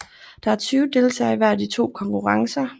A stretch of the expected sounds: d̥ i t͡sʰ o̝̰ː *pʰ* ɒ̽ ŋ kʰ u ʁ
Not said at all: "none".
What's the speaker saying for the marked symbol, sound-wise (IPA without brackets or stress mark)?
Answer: kʰ